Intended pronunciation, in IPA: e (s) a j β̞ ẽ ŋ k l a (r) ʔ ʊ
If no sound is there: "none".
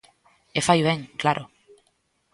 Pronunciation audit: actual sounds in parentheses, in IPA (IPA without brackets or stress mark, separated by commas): f, ɾ